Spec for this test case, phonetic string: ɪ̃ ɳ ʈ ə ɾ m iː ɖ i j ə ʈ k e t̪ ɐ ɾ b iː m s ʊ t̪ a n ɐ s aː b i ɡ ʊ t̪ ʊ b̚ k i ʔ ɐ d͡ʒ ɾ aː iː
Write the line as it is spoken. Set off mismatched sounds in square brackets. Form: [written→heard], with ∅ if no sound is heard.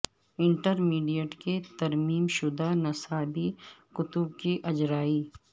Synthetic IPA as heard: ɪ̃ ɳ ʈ ə ɾ m iː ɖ i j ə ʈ k e t̪ ɐ ɾ [b→m] iː m [s→ʃ] ʊ [t̪→d̪] a n ɐ s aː b i [ɡ→k] ʊ t̪ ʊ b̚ k i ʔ ɐ d͡ʒ ɾ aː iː

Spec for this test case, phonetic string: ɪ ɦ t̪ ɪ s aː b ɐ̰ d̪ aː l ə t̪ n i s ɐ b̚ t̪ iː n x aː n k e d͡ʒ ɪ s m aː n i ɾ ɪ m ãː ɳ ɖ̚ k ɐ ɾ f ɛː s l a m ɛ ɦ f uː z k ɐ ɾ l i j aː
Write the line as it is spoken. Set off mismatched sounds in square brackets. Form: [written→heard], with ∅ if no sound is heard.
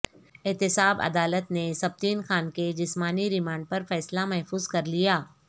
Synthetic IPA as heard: ɪ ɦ t̪ ɪ s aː b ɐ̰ d̪ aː l ə t̪ n [i→e] s ɐ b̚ t̪ iː n x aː n k e d͡ʒ ɪ s m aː n i ɾ ɪ m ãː ɳ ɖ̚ [k→p] ɐ ɾ f ɛː s l a m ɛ ɦ f uː z k ɐ ɾ l i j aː

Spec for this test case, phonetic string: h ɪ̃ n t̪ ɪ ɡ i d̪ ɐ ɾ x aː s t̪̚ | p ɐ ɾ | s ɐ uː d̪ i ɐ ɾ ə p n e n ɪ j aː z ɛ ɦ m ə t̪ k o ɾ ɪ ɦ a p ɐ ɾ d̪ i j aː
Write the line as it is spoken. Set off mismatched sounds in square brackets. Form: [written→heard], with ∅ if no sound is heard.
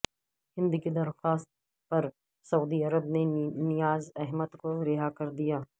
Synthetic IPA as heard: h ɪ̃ n [t̪→d̪] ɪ ɡ i d̪ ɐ ɾ x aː s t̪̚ | p ɐ ɾ | s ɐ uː d̪ i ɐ ɾ ə [p→b] n e n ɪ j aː z ɛ ɦ m ə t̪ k o ɾ ɪ ɦ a [p→k] ɐ ɾ d̪ i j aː

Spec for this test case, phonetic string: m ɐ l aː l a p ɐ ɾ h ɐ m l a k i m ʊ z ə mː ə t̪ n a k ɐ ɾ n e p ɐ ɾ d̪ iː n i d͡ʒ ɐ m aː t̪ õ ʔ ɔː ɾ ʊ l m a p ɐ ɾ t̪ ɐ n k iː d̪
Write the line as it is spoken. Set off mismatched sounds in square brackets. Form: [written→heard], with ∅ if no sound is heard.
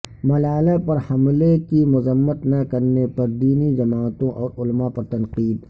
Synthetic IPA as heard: m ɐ l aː l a p ɐ ɾ h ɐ m l [a→e] k i m ʊ z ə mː ə t̪ n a k ɐ ɾ n e p ɐ ɾ d̪ iː n i d͡ʒ ɐ m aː t̪ õ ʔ ɔː ɾ ʊ l m a p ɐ ɾ t̪ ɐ n [k→q] iː d̪

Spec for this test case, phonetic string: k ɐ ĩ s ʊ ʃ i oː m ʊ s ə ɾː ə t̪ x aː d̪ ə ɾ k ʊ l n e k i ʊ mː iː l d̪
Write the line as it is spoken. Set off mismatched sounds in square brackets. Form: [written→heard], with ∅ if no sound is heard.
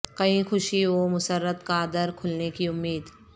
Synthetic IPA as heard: k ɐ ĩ [s→x] ʊ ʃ i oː m ʊ s ə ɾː ə t̪ [x→k] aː d̪ ə ɾ [k→kʰ] ʊ l n e k i ʊ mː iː [l→∅] d̪

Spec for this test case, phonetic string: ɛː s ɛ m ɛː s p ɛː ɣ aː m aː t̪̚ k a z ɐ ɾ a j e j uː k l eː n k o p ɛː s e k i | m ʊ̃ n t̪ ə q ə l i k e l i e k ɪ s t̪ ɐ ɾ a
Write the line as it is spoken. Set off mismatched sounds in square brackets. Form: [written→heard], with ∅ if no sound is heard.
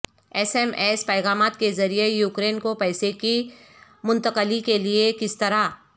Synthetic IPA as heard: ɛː s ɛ m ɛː s p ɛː ɣ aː m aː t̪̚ k [a→e] z ɐ ɾ [a→i] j e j uː k [l→ɾ] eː n k o p ɛː s e k i | m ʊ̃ n t̪ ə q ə l i k e l i e k ɪ s t̪ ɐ ɾ a

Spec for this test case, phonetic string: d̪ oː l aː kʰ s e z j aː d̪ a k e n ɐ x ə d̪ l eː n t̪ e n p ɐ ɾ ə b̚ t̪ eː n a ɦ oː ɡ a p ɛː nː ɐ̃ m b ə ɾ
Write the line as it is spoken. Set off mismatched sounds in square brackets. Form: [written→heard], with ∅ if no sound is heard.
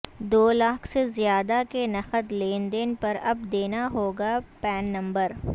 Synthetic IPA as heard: d̪ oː l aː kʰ s e z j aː d̪ a k e n ɐ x ə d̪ l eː n [t̪→d̪] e n p ɐ ɾ [ə→ɐ] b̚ [t̪→d̪] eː n a ɦ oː ɡ a p ɛː nː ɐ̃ m b ə ɾ

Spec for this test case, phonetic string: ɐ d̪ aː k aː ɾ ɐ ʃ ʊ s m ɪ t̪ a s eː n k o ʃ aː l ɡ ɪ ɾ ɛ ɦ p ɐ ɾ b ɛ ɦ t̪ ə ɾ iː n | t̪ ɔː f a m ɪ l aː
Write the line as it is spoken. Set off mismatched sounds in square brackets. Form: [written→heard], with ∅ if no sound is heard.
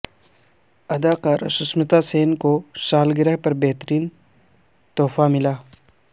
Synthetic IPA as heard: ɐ d̪ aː k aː ɾ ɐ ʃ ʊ s m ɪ t̪ a s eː n k o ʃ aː l ɡ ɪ ɾ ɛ ɦ p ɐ ɾ b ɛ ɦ t̪ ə ɾ iː n | t̪ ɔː f a m ɪ l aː

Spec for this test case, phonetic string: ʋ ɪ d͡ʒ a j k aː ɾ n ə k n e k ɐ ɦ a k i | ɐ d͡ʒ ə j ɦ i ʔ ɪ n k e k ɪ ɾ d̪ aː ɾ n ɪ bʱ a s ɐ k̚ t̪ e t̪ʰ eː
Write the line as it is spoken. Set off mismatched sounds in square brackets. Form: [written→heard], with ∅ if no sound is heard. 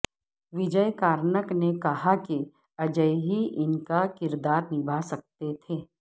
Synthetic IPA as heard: ʋ ɪ d͡ʒ [a→ə] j k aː ɾ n ə k n e k ɐ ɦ a k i | ɐ d͡ʒ ə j ɦ i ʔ ɪ n k [e→a] k ɪ ɾ d̪ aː ɾ n ɪ bʱ a s ɐ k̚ t̪ e t̪ʰ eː

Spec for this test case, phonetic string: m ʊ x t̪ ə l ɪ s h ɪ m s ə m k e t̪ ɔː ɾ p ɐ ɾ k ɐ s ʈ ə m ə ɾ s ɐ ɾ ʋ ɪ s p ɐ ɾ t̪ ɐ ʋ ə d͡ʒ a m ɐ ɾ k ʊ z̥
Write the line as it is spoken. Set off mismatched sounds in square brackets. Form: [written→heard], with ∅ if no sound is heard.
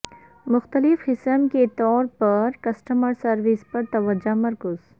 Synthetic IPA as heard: m ʊ x t̪ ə l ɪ [s→f] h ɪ [m→∅] s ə m k e t̪ ɔː ɾ p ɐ ɾ k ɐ s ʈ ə m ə ɾ s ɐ ɾ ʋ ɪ s p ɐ ɾ t̪ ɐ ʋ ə d͡ʒ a m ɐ ɾ k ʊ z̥

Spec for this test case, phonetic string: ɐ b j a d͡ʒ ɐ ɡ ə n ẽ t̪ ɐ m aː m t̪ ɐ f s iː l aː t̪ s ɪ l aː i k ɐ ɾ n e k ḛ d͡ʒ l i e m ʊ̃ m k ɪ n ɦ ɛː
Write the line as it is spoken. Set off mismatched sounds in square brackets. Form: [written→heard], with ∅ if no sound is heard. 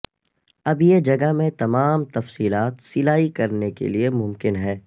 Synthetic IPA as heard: ɐ b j [a→e] d͡ʒ ɐ ɡ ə [n→m] ẽ t̪ ɐ m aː m t̪ ɐ f s iː l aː t̪ s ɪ l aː i k ɐ ɾ n e k ḛ [d͡ʒ→∅] l i e m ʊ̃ m k ɪ n ɦ ɛː

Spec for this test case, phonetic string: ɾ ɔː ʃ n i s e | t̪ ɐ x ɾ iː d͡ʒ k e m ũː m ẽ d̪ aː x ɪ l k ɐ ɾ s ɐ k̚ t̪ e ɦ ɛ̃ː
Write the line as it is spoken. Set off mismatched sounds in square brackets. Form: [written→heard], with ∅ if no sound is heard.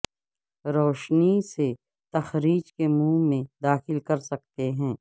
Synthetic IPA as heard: ɾ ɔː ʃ n i s e | t̪ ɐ x ɾ iː d͡ʒ k e m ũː m ẽ d̪ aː x ɪ l k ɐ ɾ s ɐ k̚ t̪ e ɦ ɛ̃ː

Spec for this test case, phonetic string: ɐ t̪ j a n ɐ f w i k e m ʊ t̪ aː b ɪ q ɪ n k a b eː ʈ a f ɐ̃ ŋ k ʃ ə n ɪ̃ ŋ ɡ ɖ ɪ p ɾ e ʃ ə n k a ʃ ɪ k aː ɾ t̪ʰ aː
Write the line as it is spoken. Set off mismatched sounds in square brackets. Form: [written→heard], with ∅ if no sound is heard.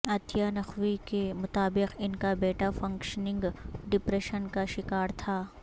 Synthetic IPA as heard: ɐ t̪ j a n ɐ [f→x] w i k e m ʊ t̪ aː b ɪ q ɪ n k a b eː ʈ a f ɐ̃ ŋ k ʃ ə n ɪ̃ ŋ ɡ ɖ ɪ p ɾ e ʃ ə n k a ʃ ɪ k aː ɾ t̪ʰ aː

